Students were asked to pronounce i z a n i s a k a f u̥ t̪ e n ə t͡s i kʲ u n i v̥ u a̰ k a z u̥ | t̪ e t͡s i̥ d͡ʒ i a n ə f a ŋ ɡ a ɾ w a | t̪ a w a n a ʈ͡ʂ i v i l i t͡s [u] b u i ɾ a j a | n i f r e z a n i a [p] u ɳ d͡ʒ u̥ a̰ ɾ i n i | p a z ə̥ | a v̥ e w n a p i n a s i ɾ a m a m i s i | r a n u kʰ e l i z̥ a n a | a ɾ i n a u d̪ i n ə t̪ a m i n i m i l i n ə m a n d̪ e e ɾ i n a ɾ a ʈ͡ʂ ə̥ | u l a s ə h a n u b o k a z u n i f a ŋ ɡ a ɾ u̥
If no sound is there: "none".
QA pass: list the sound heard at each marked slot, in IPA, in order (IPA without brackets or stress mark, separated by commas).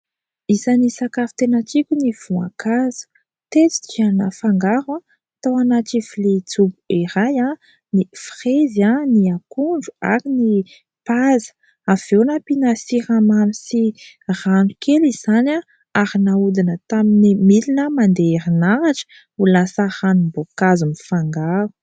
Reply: u, k